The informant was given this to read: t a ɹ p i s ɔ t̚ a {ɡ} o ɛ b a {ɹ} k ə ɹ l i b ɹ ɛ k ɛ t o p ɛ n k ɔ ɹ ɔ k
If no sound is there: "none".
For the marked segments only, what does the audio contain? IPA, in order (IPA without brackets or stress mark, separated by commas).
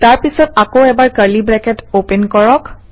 k, ɹ